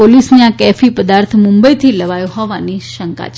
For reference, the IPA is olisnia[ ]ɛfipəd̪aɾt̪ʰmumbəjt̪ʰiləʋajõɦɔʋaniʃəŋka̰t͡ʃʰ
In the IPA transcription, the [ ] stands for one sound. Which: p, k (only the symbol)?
k